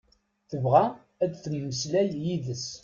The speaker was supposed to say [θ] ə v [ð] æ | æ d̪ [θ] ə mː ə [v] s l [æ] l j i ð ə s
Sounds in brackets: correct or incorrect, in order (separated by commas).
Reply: correct, incorrect, correct, incorrect, correct